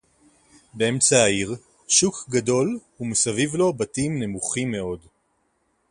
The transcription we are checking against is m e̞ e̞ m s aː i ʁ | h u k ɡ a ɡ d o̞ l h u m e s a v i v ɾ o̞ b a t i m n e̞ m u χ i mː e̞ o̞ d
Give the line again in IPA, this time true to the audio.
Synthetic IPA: b e̞ e̞ m t͡s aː i ʁ | ʃ u k ɡ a d o̞ l h u m e s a v i v l o̞ b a t i m n e̞ m u χ i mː e̞ o̞ d